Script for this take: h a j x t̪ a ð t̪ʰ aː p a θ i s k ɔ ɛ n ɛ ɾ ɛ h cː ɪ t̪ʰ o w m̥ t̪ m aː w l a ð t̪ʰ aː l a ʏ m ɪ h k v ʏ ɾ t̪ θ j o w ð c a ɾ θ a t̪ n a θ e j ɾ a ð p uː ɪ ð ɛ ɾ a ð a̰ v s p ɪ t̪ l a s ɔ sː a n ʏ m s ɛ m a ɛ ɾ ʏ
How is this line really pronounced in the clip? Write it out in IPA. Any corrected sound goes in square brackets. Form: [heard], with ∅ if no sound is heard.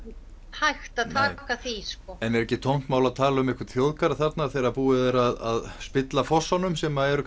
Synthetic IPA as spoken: h a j x t̪ a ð t̪ʰ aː [k] a θ i s k ɔ ɛ n ɛ ɾ ɛ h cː ɪ t̪ʰ o w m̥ t̪ m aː w l a ð t̪ʰ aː l a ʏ m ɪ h k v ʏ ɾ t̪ θ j o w ð [k] a ɾ θ a t̪ n a θ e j ɾ a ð p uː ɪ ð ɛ ɾ a ð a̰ [ð] s p ɪ t̪ l a [f] ɔ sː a n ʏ m s ɛ m a ɛ ɾ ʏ